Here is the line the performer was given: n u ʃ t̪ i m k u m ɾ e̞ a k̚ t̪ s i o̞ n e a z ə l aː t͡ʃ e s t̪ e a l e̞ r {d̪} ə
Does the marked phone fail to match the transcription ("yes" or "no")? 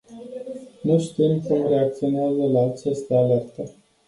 yes